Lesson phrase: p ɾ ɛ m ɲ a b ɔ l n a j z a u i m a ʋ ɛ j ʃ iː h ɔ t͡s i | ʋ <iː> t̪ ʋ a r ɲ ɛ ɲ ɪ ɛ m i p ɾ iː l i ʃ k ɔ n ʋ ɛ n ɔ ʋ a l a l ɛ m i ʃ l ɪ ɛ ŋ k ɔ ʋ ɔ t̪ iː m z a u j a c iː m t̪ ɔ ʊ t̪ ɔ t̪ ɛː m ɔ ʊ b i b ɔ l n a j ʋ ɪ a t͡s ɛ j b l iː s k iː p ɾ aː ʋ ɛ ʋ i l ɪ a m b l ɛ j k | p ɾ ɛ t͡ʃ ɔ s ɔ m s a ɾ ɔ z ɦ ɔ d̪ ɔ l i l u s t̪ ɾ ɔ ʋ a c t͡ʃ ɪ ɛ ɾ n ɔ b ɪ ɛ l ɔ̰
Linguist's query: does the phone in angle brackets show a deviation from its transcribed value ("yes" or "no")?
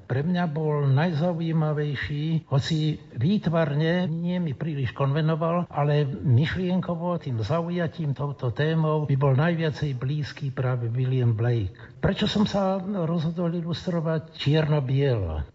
no